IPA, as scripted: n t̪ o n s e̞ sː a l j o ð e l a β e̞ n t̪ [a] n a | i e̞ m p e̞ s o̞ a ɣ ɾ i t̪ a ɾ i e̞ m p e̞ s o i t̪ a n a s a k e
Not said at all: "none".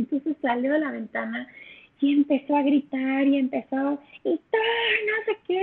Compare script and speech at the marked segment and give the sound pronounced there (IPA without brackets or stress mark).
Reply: a